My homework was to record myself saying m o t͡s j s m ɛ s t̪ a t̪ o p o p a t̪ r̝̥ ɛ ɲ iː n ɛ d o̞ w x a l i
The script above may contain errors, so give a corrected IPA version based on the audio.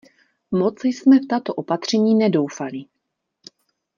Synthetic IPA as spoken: m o t͡s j s m ɛ f t̪ a t̪ o ʔ o p a t̪ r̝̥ ɛ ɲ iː n ɛ d o̞ w f a l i